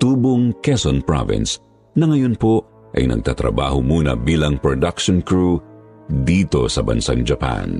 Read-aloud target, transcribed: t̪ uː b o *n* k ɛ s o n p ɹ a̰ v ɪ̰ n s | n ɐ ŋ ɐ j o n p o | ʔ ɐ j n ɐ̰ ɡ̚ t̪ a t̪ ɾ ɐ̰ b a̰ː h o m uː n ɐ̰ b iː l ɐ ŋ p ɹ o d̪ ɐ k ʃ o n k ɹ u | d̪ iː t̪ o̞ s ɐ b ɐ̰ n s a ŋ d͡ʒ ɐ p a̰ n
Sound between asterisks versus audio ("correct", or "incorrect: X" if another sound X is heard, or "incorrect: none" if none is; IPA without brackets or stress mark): incorrect: ŋ